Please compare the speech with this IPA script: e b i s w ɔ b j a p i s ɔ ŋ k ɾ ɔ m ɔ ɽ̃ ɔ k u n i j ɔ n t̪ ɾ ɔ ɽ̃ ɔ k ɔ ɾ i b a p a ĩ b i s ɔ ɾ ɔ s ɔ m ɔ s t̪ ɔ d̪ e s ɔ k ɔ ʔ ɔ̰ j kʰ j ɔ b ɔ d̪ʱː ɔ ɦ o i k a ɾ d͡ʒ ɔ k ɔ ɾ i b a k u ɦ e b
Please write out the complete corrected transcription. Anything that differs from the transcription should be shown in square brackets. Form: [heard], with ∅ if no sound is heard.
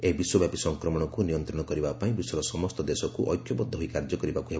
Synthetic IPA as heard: e b i s w ɔ b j a p i s ɔ ŋ k ɾ ɔ m ɔ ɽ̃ ɔ k u n i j ɔ n t̪ ɾ ɔ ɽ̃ ɔ k ɔ ɾ i b a p a ĩ b i s ɔ ɾ ɔ s ɔ m ɔ s t̪ ɔ d̪ e s ɔ k [u] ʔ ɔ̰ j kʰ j ɔ b ɔ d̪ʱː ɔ ɦ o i k a ɾ d͡ʒ ɔ k ɔ ɾ i b a k u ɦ e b